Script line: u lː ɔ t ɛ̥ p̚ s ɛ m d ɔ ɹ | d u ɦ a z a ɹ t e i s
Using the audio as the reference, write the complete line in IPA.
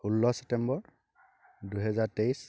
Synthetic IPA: u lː ɔ s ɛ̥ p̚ t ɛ m b ɔ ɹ | d u ɦ ɛ z a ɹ t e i s